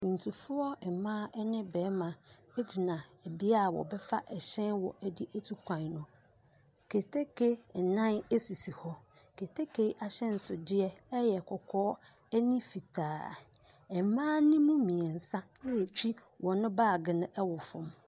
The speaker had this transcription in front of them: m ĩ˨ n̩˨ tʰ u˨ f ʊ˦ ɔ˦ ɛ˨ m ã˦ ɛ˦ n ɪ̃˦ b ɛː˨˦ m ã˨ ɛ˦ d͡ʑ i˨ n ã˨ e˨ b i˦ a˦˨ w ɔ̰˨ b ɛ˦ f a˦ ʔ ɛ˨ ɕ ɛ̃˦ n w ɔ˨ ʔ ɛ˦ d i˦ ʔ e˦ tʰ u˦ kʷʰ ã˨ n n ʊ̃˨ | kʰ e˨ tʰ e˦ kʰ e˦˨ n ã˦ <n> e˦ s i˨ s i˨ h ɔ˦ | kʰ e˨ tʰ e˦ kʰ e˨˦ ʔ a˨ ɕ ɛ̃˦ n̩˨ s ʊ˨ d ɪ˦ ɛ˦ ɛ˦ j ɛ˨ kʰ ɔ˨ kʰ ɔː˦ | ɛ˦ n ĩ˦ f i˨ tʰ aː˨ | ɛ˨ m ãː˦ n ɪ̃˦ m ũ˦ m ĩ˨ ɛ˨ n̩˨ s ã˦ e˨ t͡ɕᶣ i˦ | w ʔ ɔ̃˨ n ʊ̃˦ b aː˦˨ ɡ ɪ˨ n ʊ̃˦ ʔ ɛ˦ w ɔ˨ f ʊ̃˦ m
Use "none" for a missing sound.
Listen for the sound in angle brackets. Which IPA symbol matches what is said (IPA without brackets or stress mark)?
n